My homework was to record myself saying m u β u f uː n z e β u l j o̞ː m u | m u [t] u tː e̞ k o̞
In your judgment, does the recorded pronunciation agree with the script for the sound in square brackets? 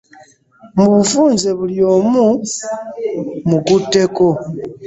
no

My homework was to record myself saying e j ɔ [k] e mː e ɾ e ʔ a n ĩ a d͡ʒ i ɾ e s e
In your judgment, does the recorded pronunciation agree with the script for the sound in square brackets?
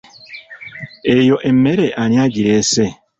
no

